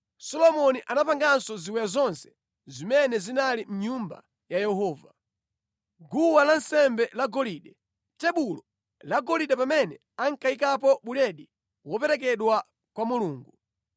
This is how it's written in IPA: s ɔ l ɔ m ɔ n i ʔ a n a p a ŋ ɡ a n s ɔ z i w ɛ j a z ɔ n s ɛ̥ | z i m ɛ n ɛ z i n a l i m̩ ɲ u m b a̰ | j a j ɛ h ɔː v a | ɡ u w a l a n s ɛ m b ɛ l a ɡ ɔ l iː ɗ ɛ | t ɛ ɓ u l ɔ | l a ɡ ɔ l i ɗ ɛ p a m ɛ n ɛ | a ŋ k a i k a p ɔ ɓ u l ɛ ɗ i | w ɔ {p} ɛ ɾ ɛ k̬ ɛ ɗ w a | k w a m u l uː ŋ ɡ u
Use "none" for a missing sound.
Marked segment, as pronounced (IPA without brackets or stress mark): p